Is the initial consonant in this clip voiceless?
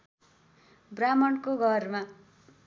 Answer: no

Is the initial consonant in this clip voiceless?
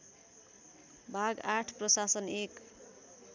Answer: no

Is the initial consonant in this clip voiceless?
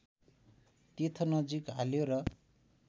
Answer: yes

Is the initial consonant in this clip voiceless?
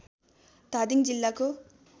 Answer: yes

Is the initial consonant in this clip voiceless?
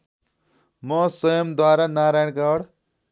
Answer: no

